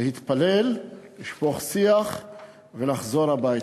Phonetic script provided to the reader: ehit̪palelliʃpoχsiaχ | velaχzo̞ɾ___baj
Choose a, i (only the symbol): a